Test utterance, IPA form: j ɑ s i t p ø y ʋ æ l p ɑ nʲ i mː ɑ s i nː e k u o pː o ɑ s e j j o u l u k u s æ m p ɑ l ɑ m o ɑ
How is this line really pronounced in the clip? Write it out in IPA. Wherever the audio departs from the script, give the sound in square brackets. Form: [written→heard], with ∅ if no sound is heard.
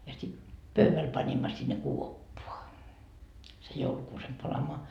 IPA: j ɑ s i t p ø y ʋ æ l p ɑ nʲ i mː ɑ s i nː e k u o pː o ɑ s e j j o u l u k [u→uː] s [æ→e] m p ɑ l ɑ m o ɑ